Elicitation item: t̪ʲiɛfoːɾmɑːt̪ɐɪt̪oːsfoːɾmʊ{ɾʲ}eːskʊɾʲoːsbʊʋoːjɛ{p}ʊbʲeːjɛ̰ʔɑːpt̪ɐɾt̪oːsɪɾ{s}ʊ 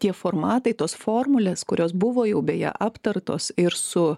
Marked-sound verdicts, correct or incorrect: incorrect: lʲ, incorrect: none, correct

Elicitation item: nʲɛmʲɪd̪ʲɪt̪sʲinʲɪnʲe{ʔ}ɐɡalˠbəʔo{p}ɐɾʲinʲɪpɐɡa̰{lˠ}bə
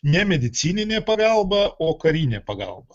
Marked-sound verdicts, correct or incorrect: incorrect: p, incorrect: k, correct

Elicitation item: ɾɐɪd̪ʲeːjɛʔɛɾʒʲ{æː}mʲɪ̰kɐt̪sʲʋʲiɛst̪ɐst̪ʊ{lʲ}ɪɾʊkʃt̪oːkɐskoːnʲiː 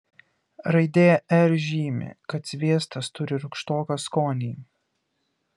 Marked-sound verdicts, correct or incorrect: incorrect: iː, incorrect: ɾʲ

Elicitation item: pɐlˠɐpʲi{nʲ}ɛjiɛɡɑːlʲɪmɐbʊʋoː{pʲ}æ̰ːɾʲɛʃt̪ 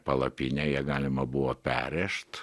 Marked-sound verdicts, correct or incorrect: correct, correct

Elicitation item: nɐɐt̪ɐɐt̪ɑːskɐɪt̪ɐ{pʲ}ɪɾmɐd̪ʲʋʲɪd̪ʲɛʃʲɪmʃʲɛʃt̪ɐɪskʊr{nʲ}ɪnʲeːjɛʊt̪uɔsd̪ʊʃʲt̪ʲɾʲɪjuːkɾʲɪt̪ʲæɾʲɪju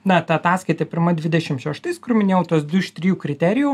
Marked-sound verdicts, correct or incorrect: correct, incorrect: mʲ

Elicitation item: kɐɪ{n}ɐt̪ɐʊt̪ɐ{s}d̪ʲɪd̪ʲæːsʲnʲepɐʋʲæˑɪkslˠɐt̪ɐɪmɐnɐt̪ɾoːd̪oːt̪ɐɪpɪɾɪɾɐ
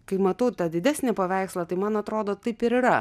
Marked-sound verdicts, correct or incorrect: incorrect: m, incorrect: none

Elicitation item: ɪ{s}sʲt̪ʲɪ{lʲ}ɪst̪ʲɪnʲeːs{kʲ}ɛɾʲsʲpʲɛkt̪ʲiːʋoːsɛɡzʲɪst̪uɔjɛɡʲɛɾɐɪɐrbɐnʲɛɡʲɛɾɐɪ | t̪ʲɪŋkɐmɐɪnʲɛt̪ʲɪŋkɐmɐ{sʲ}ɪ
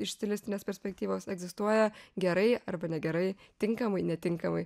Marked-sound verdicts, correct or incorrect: incorrect: ʃ, correct, incorrect: pʲ, incorrect: none

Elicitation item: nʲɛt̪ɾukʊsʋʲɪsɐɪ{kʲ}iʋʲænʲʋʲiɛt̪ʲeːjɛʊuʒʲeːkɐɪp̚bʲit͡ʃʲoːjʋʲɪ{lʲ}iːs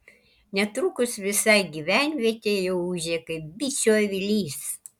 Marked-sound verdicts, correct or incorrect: incorrect: ɡʲ, correct

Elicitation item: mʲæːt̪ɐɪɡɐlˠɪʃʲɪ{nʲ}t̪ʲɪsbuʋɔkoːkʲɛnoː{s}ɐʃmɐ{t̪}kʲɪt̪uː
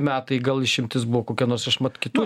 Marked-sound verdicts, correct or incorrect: incorrect: mʲ, correct, correct

